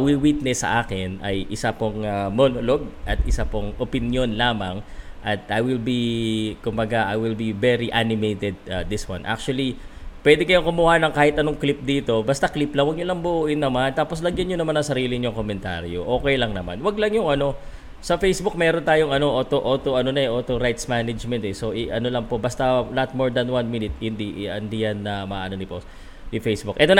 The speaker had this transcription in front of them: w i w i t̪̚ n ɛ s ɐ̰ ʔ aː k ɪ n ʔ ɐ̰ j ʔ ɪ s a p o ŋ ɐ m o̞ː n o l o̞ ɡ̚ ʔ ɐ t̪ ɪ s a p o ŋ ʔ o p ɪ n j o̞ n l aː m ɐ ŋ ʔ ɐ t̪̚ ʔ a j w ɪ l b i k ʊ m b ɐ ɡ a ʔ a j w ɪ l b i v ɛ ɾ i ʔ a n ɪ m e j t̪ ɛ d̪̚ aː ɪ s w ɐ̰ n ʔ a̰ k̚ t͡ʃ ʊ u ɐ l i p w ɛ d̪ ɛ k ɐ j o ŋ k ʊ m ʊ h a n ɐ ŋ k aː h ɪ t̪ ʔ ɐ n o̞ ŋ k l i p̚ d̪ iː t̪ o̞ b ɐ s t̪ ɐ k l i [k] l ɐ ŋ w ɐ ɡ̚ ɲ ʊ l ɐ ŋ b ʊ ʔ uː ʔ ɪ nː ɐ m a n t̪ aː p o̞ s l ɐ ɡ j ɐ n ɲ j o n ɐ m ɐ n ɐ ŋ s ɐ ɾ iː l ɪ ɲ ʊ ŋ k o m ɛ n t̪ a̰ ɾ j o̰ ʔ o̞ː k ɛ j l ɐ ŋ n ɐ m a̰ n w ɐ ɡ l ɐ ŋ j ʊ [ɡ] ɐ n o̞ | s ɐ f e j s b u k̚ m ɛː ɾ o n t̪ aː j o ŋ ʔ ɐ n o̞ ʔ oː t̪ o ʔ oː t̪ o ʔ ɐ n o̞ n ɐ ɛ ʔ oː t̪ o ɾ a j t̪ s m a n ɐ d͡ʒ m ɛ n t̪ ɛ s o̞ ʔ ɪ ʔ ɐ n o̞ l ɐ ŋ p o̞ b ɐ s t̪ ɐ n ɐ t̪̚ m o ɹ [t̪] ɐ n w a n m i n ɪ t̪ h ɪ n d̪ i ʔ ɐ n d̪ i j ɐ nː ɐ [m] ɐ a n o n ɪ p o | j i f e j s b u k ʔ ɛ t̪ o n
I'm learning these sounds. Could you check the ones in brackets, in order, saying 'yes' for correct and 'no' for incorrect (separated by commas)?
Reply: no, no, no, yes